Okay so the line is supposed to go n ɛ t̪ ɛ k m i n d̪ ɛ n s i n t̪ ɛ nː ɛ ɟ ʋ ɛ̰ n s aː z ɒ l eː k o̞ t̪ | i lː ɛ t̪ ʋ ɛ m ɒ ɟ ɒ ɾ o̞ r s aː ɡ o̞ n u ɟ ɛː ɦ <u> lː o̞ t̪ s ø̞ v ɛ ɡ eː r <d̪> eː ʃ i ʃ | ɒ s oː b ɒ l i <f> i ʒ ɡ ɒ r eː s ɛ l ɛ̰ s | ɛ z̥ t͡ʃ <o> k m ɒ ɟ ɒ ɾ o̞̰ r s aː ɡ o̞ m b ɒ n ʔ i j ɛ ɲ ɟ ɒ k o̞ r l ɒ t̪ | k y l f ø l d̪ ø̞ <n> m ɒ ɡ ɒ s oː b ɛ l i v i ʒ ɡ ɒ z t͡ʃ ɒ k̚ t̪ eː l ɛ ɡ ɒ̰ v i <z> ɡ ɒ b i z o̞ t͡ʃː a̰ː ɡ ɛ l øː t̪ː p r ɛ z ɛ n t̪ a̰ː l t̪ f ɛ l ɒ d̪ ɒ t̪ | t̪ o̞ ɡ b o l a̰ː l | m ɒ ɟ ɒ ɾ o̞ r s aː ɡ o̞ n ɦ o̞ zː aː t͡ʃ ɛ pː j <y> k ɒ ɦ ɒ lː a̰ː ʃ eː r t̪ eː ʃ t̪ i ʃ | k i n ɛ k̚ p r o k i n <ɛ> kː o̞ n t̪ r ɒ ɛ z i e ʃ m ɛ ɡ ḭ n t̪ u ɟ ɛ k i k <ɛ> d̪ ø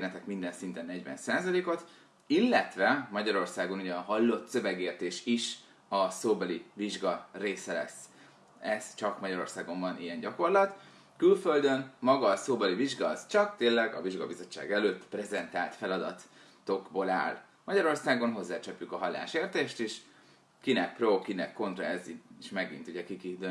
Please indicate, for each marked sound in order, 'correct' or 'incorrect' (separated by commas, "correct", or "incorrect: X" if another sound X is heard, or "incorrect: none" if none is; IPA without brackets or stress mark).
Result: incorrect: ɒ, incorrect: t̪, incorrect: v, incorrect: ɒ, correct, incorrect: ʒ, correct, correct, incorrect: i